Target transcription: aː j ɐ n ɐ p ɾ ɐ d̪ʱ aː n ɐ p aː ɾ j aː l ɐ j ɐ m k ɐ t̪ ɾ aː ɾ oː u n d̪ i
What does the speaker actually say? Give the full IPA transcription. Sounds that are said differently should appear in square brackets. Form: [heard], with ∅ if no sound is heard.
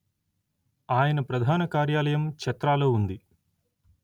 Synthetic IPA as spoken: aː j ɐ n ɐ p ɾ ɐ d̪ʱ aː n ɐ [k] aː ɾ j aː l ɐ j ɐ m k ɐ t̪ ɾ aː [l] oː u n d̪ i